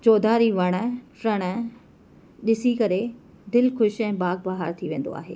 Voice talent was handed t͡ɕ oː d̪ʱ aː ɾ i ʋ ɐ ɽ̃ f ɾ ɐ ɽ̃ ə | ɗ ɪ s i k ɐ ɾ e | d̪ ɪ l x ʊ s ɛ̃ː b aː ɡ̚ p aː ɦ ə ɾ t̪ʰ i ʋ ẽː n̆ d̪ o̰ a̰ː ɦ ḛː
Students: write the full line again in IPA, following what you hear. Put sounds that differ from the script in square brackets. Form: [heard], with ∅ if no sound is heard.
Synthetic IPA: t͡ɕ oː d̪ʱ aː ɾ i ʋ ɐ ɽ̃ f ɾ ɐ ɽ̃ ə | ɗ ɪ s i k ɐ ɾ e | d̪ ɪ l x ʊ [ʃ] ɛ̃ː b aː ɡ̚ [b] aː ɦ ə ɾ t̪ʰ i ʋ ẽː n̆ d̪ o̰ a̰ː ɦ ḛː

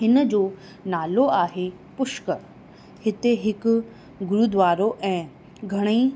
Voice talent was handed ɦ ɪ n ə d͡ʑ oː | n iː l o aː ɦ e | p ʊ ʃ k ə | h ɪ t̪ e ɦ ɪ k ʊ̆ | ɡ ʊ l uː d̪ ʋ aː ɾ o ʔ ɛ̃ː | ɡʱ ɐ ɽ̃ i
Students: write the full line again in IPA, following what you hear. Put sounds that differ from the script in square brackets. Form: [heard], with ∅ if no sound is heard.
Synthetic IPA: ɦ ɪ n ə d͡ʑ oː | n [aː] l o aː ɦ e | p ʊ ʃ k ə | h ɪ t̪ e ɦ ɪ k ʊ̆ | ɡ ʊ [ɾ] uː d̪ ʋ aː ɾ o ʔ ɛ̃ː | ɡʱ ɐ ɽ̃ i

